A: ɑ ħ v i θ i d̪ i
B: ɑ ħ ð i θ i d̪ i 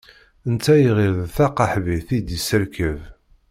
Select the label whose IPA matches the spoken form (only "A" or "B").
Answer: A